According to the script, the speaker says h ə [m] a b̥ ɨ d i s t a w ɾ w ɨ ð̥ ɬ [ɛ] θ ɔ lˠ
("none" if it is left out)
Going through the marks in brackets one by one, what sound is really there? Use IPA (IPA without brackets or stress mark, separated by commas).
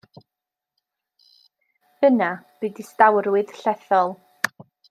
n, ɛ